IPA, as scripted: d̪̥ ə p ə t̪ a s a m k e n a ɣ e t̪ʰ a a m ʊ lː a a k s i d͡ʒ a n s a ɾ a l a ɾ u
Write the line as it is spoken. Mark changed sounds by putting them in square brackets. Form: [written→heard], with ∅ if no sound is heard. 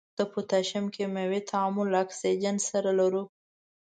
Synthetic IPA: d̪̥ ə p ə t̪ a [s→ʃ] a m k e [n→m] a [ɣ→w] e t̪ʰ a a m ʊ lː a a k s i d͡ʒ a n s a ɾ a l a ɾ u